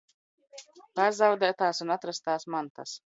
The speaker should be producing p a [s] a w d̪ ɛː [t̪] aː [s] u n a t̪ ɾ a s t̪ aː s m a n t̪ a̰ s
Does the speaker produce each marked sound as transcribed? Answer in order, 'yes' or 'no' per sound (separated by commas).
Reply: no, yes, yes